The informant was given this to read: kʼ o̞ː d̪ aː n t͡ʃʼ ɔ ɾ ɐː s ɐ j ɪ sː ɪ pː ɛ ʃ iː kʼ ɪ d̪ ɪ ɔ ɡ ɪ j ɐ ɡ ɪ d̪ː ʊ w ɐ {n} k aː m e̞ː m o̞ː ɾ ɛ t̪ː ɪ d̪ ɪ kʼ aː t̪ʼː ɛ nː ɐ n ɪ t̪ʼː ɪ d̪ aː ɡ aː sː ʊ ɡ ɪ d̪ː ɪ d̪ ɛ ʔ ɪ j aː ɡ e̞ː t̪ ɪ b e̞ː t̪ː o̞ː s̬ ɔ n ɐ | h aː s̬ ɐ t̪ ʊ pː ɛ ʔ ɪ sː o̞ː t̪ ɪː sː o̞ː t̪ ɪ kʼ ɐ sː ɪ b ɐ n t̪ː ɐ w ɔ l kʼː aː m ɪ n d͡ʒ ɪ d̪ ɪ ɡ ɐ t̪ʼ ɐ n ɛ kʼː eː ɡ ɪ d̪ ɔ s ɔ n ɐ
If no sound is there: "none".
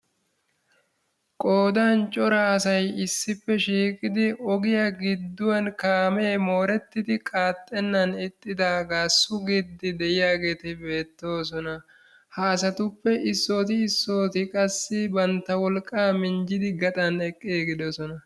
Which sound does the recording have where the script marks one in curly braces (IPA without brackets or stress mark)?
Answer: n